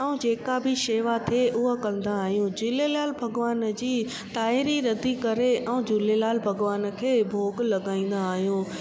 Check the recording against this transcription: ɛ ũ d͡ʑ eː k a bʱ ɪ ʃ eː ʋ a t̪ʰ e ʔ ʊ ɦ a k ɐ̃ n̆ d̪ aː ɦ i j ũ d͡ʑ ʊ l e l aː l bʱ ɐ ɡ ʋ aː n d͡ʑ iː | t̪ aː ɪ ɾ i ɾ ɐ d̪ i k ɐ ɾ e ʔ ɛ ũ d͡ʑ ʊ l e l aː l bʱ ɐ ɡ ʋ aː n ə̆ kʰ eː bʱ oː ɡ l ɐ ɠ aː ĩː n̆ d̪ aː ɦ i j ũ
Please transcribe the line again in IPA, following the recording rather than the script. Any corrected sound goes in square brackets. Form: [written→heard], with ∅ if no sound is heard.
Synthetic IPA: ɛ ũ d͡ʑ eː k a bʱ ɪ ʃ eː ʋ a t̪ʰ e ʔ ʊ ɦ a k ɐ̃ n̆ d̪ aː ɦ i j ũ d͡ʑ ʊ l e l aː l bʱ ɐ ɡ ʋ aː n d͡ʑ iː | t̪ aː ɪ ɾ i ɾ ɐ d̪ i k ɐ ɾ e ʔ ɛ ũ d͡ʑ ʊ l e l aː l bʱ ɐ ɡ ʋ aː n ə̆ kʰ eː bʱ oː ɡ l ɐ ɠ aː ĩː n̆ d̪ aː ɦ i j ũ